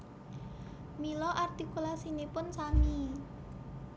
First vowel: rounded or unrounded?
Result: unrounded